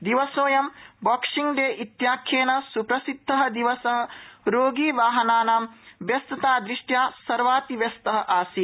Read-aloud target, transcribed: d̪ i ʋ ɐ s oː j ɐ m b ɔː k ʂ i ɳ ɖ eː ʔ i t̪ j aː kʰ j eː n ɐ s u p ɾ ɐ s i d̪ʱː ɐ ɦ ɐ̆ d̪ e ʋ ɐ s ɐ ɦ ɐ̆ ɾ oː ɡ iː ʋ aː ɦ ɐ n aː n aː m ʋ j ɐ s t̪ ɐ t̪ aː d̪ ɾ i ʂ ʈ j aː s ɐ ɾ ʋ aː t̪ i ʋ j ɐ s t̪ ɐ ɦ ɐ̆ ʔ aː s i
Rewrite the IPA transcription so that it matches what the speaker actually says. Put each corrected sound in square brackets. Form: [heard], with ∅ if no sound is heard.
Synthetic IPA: d̪ i ʋ ɐ s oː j ɐ m b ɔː k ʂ i [ŋ] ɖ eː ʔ i t̪ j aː kʰ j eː n ɐ s u p ɾ ɐ s i d̪ʱː ɐ ɦ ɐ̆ d̪ [i] ʋ ɐ s ɐ ɦ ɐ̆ ɾ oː ɡ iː ʋ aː ɦ ɐ n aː n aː m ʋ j ɐ s t̪ ɐ t̪ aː d̪ ɾ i ʂ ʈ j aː s ɐ ɾ ʋ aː t̪ i ʋ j ɐ s t̪ ɐ ɦ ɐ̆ ʔ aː s i